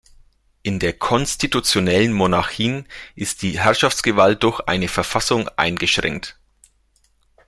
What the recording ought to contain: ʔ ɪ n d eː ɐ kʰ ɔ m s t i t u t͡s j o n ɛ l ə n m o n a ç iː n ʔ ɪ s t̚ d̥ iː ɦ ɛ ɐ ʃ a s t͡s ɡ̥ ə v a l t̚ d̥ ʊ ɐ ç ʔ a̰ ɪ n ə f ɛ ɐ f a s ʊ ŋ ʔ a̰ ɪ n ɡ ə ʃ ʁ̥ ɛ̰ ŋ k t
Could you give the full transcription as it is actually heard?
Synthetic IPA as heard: ʔ ɪ n d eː ɐ kʰ ɔ n s t i t u t͡s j o n ɛ l ə n m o n a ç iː n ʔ ɪ s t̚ d̥ iː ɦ ɛ ɐ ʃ a f t͡s ɡ̥ ə v a l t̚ d̥ ʊ ɐ ç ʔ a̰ ɪ n ə f ɛ ɐ f a s ʊ ŋ ʔ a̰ ɪ n ɡ ə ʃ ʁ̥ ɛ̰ ŋ k t